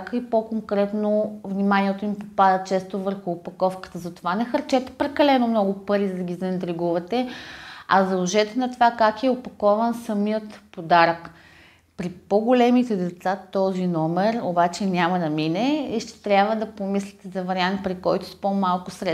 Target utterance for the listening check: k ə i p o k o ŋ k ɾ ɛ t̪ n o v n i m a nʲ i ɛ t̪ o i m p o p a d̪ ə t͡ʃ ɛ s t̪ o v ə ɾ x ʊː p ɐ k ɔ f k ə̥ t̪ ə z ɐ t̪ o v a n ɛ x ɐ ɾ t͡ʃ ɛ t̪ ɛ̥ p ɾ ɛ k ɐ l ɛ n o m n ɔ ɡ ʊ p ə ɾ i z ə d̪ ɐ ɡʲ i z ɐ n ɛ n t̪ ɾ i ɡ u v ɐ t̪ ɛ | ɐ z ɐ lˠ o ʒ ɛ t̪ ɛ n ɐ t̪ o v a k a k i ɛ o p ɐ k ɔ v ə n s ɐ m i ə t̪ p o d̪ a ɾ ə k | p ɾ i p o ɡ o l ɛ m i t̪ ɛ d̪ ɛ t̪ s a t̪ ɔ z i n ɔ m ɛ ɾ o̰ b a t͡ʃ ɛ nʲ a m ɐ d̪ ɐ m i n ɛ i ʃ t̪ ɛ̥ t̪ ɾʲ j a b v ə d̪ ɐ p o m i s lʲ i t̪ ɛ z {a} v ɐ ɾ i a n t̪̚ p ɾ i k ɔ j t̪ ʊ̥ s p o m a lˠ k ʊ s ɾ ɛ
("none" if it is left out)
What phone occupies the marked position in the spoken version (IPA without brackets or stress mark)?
ɐ